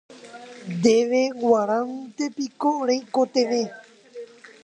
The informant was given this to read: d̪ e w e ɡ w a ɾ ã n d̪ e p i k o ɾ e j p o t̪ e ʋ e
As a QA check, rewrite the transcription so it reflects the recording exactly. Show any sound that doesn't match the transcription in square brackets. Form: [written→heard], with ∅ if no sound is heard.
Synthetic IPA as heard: d̪ e [w→ʋ] e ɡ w a ɾ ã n [d̪→t̪] e p i k o ɾ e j [p→k] o t̪ e ʋ e